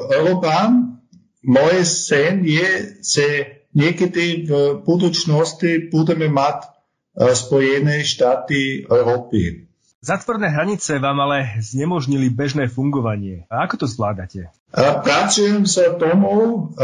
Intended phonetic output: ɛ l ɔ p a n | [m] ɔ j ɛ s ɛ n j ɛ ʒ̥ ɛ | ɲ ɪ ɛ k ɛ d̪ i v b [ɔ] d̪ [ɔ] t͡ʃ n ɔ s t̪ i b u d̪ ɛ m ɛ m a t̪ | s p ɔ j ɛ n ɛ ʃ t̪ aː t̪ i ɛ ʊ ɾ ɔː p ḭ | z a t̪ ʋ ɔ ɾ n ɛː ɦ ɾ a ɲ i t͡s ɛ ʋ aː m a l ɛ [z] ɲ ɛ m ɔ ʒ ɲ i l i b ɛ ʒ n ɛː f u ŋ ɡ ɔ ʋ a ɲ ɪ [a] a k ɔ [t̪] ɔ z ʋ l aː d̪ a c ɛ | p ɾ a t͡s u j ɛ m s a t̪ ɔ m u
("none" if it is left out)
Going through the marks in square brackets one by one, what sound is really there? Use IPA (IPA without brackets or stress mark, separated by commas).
m, u, u, z, ɛ, t̪